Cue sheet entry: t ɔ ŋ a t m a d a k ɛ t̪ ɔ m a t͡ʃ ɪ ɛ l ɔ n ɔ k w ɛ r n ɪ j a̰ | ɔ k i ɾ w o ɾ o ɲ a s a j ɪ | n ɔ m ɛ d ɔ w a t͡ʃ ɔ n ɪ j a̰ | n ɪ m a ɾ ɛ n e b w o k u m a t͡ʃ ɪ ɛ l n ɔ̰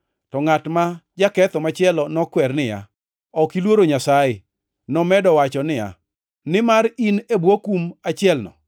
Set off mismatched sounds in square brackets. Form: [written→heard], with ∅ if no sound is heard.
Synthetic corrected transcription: t ɔ ŋ a t m a [d→d͡ʒ] a k ɛ t̪ ɔ m a t͡ʃ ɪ ɛ l ɔ n ɔ k w ɛ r n ɪ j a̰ | ɔ k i [ɾ→l] w o ɾ o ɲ a s a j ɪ | n ɔ m ɛ d ɔ w a t͡ʃ ɔ n ɪ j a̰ | n ɪ m a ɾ [ɛ→i] n e b w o k u m a t͡ʃ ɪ ɛ l n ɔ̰